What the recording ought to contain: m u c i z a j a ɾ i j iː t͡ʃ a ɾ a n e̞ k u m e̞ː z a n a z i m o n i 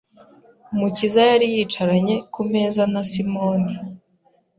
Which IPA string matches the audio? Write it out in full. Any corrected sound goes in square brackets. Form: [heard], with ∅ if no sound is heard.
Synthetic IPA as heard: m u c i z a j a ɾ i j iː t͡ʃ a ɾ a [ɲ] e̞ k u m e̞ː z a n a [s] i m o n i